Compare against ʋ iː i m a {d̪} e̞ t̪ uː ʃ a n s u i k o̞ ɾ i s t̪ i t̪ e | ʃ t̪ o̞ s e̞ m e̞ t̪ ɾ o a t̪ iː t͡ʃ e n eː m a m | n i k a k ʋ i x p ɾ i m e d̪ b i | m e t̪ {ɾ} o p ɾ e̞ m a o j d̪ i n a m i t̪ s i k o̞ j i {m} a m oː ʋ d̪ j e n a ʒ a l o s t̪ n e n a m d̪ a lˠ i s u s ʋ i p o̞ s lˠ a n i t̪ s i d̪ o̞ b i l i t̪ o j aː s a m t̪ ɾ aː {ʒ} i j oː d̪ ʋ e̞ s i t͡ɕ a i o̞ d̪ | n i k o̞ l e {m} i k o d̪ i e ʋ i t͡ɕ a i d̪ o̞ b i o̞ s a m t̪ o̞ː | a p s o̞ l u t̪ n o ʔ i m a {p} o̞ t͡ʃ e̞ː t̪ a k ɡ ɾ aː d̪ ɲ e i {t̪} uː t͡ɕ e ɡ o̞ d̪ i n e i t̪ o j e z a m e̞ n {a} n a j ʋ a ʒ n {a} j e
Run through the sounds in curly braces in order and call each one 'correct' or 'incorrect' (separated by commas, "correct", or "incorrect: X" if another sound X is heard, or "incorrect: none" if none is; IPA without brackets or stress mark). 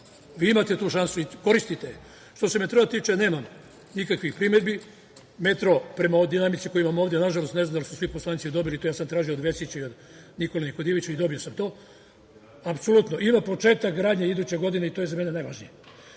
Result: incorrect: t̪, correct, correct, correct, incorrect: n, correct, incorrect: d̪, incorrect: e, incorrect: i